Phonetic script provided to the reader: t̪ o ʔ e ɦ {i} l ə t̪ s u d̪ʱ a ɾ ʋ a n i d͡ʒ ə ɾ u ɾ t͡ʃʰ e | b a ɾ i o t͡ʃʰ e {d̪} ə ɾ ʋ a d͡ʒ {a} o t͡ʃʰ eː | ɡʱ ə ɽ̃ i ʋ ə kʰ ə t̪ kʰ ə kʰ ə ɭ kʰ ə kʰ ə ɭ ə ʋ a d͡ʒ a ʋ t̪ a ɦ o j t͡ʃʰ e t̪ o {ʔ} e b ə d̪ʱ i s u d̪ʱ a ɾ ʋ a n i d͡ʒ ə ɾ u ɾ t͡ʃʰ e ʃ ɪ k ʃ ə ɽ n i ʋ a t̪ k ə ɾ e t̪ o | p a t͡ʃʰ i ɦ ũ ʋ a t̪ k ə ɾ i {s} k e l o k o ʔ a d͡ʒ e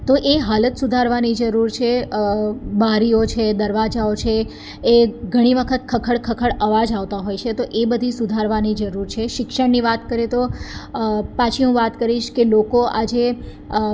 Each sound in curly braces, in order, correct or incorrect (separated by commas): incorrect, correct, correct, correct, incorrect